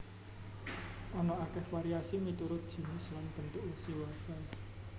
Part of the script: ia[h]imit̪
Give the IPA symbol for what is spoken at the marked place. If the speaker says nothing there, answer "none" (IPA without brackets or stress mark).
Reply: s